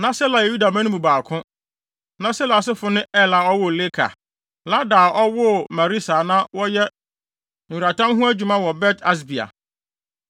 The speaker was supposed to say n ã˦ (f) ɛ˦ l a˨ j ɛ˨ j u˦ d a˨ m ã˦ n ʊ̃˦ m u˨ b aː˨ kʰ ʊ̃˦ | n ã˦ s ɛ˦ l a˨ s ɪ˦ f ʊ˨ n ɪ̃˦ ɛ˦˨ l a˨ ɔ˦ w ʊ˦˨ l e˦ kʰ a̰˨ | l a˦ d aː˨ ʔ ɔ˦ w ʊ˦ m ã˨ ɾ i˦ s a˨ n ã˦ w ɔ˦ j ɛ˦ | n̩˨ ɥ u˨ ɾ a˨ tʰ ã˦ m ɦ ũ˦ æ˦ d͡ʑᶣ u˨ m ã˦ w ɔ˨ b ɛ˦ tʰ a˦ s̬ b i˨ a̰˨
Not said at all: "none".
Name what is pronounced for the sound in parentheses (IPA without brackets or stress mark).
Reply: s